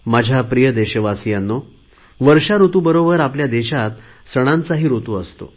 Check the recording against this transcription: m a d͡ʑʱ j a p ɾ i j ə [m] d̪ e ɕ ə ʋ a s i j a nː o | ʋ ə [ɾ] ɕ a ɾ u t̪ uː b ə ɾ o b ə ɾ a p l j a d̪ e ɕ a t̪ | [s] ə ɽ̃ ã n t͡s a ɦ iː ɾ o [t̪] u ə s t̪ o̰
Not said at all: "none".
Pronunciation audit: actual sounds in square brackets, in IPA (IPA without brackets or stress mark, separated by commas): none, ɾ, s, t̪